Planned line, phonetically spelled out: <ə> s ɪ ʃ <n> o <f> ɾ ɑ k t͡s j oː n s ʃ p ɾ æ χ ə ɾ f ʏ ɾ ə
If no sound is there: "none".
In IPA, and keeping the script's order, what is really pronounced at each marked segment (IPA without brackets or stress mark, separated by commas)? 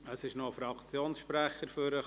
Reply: ə, n, f